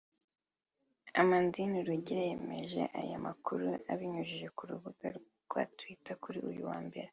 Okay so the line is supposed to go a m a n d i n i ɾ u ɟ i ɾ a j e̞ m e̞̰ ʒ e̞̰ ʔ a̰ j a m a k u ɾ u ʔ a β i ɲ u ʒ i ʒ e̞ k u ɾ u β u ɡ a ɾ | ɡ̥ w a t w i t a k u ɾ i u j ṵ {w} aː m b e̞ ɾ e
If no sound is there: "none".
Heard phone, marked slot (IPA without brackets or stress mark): w